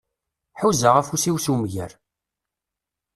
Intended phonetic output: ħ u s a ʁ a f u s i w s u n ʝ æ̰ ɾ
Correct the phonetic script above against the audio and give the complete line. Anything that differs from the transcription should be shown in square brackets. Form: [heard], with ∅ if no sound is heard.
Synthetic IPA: ħ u [z] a ʁ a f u s i w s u [m] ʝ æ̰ ɾ